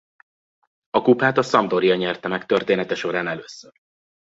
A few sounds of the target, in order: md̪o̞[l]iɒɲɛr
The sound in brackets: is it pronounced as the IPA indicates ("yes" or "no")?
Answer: no